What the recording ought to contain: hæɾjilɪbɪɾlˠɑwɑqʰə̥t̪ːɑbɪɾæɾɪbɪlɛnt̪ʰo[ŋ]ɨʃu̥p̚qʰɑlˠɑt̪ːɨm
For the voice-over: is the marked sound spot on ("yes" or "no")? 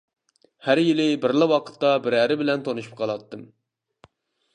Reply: no